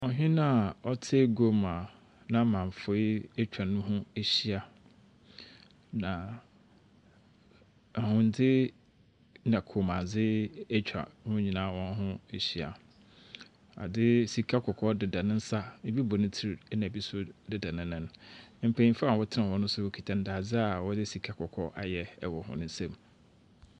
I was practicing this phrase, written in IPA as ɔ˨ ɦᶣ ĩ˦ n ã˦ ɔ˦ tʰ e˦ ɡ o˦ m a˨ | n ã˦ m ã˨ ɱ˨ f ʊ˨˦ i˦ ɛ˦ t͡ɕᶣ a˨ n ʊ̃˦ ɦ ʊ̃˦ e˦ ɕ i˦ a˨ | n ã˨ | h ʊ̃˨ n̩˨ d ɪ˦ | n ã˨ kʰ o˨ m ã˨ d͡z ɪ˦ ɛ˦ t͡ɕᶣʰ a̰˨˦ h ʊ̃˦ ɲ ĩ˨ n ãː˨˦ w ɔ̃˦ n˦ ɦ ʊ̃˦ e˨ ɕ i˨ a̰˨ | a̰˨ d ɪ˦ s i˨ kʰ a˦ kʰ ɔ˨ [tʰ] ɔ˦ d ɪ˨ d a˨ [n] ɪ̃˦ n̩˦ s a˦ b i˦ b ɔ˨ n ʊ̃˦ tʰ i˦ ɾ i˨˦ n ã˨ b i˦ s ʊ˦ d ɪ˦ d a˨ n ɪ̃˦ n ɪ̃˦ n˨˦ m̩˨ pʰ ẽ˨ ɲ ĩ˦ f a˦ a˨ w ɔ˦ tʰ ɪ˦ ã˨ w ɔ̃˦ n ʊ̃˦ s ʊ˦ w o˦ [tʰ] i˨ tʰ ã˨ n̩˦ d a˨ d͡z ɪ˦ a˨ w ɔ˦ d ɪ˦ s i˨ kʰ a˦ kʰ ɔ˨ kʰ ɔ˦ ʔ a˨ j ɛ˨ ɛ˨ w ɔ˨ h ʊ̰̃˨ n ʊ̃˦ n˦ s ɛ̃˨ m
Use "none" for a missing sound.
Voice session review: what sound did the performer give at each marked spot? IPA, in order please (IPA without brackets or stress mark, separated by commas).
kʰ, n, kʰ